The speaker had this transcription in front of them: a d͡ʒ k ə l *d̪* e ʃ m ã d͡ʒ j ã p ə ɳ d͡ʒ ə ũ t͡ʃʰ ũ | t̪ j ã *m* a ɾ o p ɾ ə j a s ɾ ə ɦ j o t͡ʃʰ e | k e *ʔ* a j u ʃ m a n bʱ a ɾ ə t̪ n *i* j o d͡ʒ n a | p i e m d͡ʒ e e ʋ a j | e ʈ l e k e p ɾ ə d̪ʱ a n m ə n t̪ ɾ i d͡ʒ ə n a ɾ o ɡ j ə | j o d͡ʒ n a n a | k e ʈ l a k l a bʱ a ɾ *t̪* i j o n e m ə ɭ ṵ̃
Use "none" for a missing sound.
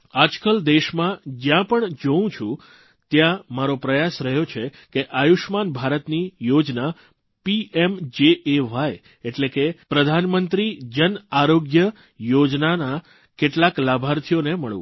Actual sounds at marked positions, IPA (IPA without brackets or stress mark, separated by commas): d̪, m, ʔ, i, t̪ʰ